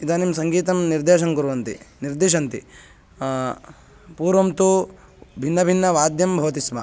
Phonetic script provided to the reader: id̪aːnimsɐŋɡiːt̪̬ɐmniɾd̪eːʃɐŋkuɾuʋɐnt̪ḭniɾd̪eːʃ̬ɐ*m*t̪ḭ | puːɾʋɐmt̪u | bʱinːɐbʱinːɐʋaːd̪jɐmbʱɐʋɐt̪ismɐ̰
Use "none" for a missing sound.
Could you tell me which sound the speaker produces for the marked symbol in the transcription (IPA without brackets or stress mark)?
n